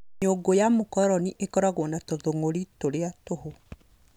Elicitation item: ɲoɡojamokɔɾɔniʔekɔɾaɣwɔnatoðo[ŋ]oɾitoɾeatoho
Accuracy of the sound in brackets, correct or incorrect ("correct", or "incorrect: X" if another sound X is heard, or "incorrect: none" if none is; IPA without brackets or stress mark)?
correct